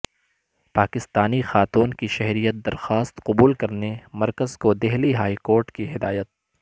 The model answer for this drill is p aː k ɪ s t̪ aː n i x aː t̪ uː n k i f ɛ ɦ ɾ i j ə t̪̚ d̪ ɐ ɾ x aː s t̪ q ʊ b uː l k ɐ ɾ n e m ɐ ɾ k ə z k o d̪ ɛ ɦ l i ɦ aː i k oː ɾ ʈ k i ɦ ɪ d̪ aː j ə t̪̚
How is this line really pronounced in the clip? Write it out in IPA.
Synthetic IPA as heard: p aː k ɪ s t̪ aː n i x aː t̪ uː n k i ʃ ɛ ɦ ɾ i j ə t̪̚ d̪ ɐ ɾ x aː s t̪ q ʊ b uː l k ɐ ɾ n e m ɐ ɾ k ə z k o d̪ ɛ ɦ l i ɦ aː i k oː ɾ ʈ k i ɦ ɪ d̪ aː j ə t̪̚